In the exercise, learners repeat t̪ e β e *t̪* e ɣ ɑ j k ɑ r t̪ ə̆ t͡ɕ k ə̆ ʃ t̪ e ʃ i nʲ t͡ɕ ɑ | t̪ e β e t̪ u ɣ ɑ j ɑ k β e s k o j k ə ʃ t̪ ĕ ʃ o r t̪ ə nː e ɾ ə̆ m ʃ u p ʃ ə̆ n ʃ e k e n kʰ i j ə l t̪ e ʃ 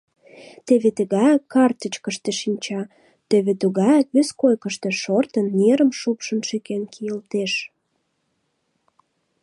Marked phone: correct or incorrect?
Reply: correct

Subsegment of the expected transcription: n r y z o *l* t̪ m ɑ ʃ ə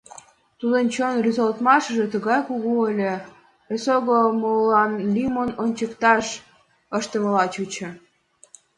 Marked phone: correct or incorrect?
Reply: correct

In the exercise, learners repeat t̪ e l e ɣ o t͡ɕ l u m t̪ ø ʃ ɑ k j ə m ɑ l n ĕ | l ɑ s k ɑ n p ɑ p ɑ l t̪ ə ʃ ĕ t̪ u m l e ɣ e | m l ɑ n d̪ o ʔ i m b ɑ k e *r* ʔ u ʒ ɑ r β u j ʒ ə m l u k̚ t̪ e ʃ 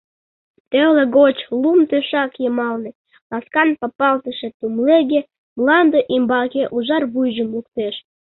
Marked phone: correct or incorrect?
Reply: incorrect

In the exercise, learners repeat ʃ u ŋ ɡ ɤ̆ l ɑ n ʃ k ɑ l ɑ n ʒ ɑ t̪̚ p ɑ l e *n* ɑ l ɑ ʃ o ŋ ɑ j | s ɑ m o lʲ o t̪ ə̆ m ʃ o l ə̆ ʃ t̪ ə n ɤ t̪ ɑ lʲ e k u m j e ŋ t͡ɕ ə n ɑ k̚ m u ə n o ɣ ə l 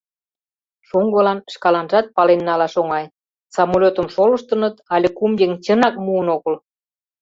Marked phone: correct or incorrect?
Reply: incorrect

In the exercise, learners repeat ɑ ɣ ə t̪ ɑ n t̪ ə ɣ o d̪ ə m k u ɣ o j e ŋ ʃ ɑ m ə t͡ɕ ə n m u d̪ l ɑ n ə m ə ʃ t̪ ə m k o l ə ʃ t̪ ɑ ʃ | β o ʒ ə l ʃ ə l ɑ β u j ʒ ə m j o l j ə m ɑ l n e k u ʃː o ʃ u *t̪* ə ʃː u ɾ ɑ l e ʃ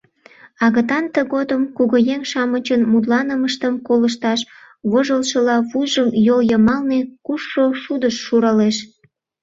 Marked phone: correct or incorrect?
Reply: incorrect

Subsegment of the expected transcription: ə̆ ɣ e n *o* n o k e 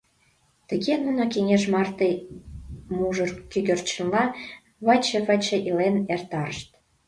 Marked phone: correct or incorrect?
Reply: incorrect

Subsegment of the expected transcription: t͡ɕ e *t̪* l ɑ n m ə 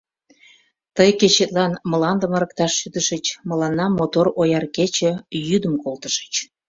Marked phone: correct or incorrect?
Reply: correct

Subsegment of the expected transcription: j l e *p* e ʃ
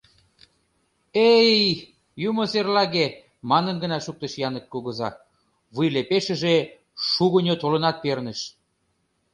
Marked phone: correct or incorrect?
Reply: correct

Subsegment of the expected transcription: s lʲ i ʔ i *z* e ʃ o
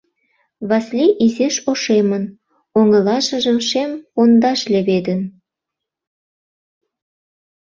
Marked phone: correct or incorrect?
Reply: correct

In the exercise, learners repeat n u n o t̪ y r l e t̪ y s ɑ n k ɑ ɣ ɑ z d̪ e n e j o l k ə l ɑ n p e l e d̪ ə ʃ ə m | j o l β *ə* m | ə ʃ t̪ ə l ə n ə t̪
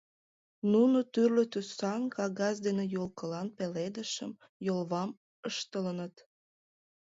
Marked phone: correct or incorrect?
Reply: incorrect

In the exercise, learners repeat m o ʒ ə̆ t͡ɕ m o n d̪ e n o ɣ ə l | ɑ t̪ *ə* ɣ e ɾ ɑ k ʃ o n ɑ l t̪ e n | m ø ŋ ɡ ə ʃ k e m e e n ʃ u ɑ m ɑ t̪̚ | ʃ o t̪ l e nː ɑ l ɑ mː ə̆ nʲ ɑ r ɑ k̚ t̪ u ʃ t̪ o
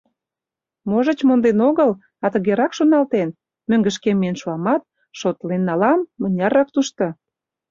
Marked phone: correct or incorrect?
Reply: correct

